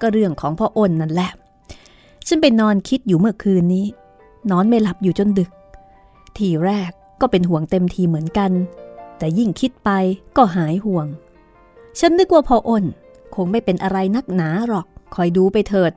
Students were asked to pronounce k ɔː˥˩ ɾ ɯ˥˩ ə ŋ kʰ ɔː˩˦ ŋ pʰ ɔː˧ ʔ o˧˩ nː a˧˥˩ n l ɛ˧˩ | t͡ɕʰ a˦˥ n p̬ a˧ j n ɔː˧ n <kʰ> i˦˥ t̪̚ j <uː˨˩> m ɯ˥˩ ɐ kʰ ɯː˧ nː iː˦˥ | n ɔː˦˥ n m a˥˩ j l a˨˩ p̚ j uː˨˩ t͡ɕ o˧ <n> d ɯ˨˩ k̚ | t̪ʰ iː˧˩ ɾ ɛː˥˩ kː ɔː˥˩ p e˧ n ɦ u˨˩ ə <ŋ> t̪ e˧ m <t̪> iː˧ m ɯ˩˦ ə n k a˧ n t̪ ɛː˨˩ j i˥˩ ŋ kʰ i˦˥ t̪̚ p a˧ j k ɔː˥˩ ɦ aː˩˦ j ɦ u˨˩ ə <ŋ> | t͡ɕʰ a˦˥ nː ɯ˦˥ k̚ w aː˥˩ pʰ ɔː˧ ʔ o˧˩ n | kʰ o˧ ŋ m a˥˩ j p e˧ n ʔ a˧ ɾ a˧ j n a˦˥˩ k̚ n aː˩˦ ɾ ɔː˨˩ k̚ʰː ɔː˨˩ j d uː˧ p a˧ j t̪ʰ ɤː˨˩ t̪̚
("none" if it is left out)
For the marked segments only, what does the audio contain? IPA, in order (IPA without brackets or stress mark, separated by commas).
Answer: kʰ, uː˨˩, n, ŋ, t̪ʰ, ŋ